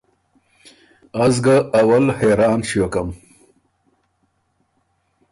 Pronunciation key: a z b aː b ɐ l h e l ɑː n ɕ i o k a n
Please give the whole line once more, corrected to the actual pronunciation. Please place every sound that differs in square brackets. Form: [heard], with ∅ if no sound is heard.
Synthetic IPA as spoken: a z [ɡ] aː [w] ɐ l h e [ɾ] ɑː n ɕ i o k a [m]